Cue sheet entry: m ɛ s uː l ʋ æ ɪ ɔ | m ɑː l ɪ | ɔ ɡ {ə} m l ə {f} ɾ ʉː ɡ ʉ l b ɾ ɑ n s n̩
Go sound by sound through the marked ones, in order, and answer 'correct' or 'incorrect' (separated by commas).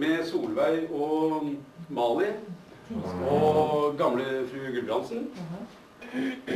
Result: incorrect, correct